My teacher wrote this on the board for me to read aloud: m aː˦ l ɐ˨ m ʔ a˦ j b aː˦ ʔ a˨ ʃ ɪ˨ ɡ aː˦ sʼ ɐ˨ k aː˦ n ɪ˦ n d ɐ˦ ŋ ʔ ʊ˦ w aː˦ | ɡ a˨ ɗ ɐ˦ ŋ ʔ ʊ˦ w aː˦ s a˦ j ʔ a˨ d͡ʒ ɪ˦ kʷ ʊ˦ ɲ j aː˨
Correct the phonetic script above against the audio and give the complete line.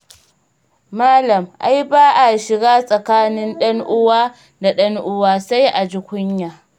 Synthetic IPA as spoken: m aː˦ l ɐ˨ m ʔ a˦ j b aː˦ ʔ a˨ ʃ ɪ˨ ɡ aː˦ sʼ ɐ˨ k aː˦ n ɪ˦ n ɗ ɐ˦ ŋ ʔ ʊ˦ w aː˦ | d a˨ ɗ ɐ˦ ŋ ʔ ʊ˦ w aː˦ s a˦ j ʔ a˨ d͡ʒ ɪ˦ kʷ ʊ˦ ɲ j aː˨